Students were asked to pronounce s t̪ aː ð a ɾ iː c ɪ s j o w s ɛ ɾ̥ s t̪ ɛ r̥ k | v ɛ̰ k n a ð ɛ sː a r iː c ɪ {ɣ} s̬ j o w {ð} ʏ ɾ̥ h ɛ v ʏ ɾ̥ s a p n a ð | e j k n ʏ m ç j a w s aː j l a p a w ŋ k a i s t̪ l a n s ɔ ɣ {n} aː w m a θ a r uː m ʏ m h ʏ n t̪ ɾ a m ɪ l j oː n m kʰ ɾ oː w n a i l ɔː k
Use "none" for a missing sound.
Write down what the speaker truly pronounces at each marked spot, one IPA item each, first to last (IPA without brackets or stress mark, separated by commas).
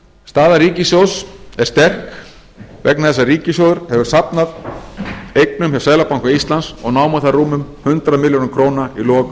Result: none, ð, n